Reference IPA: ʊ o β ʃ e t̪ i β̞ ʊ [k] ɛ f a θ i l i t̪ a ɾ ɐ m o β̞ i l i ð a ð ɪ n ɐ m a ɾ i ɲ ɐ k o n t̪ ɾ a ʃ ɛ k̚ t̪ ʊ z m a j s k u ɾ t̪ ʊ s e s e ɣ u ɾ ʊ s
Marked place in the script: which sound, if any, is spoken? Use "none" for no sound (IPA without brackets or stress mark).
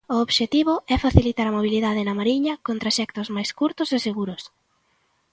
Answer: none